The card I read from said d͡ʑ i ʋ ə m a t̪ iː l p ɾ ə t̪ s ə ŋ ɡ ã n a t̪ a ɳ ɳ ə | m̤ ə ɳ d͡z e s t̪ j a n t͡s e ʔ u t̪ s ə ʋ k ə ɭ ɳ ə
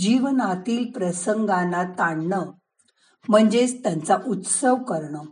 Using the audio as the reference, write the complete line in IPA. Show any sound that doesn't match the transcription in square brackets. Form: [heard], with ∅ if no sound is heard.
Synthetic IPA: d͡ʑ i ʋ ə [n] a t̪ iː l p ɾ ə [∅] s ə ŋ ɡ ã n a t̪ a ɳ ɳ ə | m̤ ə ɳ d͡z e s t̪ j a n t͡s [a] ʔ u t̪ s ə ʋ k ə [ɾ] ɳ ə